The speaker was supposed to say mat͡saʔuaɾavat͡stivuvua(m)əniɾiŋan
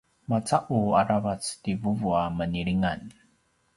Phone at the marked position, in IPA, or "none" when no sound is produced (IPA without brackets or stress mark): m